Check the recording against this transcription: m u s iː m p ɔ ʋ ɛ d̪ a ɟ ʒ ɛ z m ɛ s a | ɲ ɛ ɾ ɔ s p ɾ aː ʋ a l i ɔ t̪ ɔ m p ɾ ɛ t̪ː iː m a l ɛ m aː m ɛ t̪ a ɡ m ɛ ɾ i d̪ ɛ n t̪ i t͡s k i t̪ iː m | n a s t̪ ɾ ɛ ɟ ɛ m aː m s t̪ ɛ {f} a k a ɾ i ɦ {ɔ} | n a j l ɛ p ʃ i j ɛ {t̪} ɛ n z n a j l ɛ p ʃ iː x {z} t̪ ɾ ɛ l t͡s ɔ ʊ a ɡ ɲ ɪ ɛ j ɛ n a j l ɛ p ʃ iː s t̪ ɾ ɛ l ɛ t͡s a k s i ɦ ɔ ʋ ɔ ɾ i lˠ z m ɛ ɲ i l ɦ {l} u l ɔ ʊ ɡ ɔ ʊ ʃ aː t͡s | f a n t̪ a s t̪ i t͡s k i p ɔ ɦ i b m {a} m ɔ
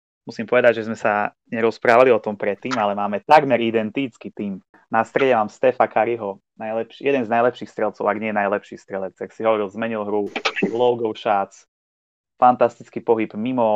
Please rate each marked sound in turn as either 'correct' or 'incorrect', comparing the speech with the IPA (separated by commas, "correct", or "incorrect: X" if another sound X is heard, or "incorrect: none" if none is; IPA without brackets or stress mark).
correct, correct, incorrect: d̪, incorrect: s, incorrect: ɾ, incorrect: i